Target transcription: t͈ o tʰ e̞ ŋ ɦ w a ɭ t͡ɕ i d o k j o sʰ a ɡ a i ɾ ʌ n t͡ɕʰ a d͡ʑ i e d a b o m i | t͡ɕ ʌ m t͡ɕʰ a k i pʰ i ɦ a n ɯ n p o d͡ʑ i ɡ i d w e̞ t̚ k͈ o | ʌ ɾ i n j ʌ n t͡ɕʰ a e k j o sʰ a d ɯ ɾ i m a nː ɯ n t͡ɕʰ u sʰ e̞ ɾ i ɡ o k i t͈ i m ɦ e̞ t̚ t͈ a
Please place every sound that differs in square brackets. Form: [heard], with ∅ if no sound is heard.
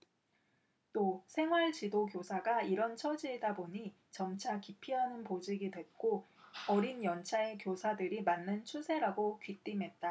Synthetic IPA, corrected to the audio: t͈ o [sʰ] e̞ ŋ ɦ w a ɭ t͡ɕ i d o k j o sʰ a ɡ a i ɾ ʌ n t͡ɕʰ [ʌ] d͡ʑ i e d a b o [ɲ] i | t͡ɕ ʌ m t͡ɕʰ a k i pʰ i ɦ a n ɯ n p o d͡ʑ i ɡ i d w e̞ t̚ k͈ o | ʌ ɾ i n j ʌ n t͡ɕʰ a e k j o sʰ a d ɯ ɾ i m a nː ɯ n t͡ɕʰ u sʰ e̞ ɾ [a] ɡ o k i t͈ i m ɦ e̞ t̚ t͈ a

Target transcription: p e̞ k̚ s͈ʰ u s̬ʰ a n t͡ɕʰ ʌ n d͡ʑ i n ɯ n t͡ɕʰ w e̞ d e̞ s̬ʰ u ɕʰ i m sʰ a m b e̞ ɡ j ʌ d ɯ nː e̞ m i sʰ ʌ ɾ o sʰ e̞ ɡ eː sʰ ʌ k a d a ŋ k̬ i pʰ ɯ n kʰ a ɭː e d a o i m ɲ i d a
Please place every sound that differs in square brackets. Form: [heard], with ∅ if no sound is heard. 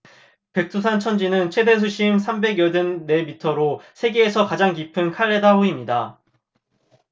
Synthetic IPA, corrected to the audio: p e̞ k̚ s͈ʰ u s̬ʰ a n t͡ɕʰ ʌ n d͡ʑ i n ɯ n t͡ɕʰ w e̞ d e̞ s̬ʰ u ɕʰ i m sʰ a m b e̞ ɡ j ʌ d ɯ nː e̞ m i [tʰ] ʌ ɾ o sʰ e̞ ɡ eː sʰ ʌ k a [d͡ʑ] a ŋ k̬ i pʰ ɯ n kʰ a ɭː e d a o i m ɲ i d a

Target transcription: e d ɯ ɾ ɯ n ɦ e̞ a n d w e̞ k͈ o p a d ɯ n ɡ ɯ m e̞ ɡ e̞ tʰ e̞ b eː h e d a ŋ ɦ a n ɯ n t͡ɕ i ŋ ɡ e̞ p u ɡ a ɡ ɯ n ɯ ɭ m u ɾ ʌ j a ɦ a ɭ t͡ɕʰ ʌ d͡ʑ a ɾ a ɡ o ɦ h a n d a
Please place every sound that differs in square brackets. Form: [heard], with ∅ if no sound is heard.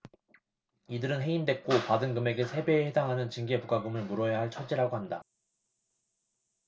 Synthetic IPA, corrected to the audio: [i] d ɯ ɾ ɯ n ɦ e̞ [i] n d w e̞ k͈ o p a d ɯ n ɡ ɯ m e̞ ɡ e̞ [sʰ] e̞ b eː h e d a ŋ ɦ a n ɯ n t͡ɕ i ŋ ɡ e̞ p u ɡ a ɡ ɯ [m] ɯ ɭ m u ɾ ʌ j a ɦ a ɭ t͡ɕʰ ʌ d͡ʑ [i] ɾ a ɡ o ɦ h a n d a

